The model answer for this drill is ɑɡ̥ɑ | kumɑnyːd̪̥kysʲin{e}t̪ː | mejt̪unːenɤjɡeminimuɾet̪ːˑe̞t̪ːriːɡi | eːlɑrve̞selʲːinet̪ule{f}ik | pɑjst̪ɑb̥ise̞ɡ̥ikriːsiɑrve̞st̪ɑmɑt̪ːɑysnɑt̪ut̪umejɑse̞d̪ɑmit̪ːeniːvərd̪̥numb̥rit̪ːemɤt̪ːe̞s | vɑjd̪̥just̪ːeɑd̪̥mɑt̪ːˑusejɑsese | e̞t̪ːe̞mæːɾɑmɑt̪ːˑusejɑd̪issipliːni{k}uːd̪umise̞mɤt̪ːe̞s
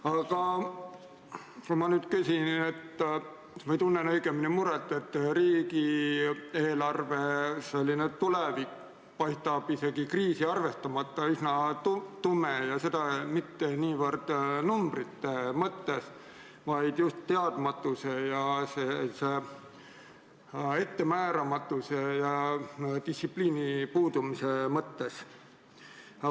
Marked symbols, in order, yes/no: yes, no, no

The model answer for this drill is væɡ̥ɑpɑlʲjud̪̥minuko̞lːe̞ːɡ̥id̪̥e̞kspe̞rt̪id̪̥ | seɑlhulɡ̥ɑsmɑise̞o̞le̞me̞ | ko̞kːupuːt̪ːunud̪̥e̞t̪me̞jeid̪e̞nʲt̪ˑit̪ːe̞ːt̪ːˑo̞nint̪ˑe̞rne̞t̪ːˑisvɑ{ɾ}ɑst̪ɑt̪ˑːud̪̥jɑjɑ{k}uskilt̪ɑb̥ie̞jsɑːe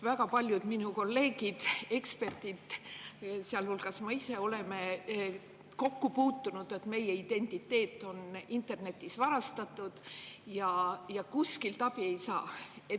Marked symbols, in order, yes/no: yes, yes

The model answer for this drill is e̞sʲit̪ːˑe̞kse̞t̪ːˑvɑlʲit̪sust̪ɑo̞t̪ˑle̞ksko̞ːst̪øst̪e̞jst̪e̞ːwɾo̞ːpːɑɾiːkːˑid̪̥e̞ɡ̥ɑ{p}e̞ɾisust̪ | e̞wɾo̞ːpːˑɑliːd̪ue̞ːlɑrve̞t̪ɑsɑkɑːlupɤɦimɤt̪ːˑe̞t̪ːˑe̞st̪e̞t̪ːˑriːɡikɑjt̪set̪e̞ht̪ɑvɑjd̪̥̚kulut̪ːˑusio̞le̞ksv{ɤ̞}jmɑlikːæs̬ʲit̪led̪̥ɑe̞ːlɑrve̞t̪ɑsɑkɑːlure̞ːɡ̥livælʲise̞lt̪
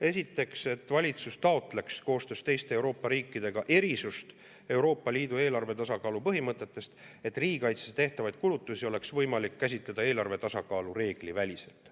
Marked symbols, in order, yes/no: no, yes

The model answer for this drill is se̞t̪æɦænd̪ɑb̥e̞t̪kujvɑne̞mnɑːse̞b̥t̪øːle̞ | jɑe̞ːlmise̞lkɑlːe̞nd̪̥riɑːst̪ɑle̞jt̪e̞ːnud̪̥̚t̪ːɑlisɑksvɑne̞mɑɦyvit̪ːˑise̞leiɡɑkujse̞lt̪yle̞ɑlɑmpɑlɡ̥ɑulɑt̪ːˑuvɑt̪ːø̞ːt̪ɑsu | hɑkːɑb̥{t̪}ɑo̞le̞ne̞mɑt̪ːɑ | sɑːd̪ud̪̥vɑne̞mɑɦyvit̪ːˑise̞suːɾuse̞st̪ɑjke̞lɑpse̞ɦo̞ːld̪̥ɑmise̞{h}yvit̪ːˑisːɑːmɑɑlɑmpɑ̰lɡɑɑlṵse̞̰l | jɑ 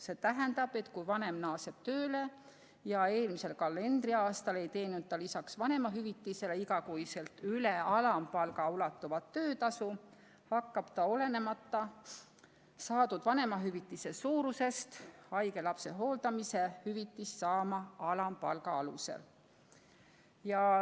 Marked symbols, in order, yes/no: yes, yes

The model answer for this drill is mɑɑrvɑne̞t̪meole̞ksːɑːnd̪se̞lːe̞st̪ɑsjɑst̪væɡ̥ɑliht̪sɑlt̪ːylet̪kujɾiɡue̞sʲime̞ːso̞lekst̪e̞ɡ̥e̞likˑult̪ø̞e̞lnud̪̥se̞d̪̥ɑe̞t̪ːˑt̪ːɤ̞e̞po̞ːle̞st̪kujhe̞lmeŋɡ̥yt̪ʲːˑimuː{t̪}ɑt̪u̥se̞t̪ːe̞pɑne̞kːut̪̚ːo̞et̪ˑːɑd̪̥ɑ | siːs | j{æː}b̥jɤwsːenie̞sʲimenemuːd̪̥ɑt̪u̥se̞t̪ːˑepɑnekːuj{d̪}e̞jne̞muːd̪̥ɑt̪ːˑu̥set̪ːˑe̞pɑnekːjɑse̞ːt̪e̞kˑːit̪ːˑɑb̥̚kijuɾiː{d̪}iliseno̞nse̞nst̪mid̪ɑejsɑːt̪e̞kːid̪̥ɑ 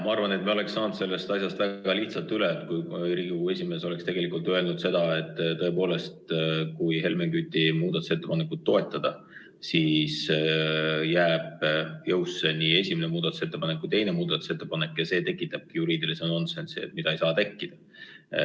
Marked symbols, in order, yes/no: no, yes, no, yes

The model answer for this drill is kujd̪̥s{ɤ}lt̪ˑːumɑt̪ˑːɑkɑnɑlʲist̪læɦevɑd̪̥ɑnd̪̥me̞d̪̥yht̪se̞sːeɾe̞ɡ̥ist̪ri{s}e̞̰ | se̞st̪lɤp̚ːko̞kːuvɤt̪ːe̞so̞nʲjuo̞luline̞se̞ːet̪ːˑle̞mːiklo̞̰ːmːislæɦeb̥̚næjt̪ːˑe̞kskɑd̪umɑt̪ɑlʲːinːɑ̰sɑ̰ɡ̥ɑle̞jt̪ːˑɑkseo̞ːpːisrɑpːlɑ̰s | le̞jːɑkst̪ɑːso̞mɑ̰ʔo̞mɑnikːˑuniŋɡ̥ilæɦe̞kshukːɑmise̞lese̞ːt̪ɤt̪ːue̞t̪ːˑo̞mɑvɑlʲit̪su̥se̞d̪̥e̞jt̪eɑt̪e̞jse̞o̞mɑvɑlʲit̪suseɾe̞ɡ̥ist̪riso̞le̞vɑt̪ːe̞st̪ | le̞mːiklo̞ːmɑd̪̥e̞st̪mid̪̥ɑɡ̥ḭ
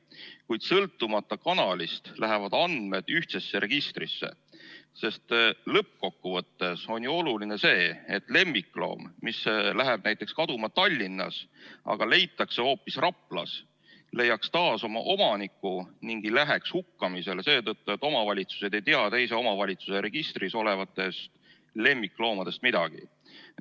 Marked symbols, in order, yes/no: yes, no

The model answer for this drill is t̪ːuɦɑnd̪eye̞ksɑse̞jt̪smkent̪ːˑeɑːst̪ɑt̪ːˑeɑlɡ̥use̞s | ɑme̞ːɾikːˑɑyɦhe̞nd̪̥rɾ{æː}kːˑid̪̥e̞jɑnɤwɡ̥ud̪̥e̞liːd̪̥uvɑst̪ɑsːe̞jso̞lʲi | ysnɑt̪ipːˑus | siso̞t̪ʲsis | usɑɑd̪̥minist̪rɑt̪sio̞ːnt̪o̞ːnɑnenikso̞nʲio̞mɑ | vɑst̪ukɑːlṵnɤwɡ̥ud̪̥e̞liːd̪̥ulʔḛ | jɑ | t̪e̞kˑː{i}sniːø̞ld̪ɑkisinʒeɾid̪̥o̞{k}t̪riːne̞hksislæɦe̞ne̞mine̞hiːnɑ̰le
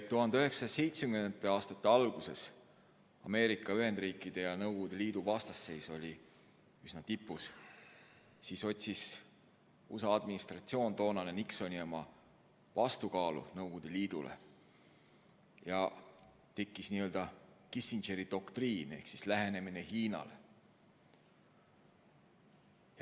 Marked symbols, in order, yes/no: no, yes, yes

